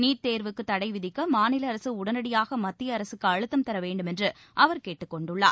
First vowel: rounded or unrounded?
unrounded